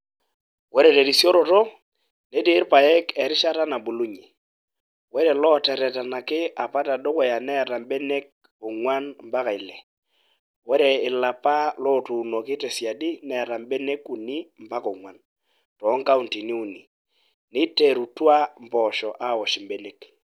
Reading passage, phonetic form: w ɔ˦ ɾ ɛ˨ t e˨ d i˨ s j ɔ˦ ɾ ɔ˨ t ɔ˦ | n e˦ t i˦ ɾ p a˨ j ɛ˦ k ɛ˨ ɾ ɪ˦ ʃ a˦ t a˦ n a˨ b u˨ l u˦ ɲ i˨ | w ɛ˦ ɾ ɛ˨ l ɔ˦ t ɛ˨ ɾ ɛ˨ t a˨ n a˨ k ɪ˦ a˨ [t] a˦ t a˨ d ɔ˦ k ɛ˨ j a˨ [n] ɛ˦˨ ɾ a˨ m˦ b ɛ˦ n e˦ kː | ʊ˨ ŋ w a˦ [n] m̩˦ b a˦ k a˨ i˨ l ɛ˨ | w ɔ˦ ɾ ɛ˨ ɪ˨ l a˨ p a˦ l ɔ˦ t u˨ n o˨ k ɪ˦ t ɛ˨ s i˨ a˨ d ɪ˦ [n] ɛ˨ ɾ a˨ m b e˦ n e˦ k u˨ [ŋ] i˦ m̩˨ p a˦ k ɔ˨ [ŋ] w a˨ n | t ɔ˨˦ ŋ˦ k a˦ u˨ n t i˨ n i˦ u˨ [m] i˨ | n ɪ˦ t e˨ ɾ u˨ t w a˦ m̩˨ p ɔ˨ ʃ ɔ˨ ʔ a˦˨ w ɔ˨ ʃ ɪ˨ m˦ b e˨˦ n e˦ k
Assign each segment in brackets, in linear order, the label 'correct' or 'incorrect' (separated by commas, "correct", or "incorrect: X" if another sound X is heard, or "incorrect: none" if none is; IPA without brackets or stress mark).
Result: incorrect: p, correct, correct, correct, incorrect: n, correct, incorrect: n